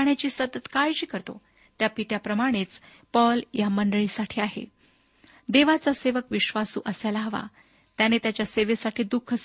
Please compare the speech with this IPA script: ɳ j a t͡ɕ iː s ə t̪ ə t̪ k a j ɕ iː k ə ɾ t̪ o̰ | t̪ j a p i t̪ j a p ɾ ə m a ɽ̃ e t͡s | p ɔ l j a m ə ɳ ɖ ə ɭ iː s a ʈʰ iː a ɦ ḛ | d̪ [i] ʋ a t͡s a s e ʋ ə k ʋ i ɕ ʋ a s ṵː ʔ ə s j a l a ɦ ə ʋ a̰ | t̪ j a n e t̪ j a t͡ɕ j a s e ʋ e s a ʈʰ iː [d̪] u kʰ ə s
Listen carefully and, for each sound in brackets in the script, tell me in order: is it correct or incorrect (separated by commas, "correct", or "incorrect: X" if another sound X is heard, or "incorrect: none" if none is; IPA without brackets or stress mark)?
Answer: incorrect: e, correct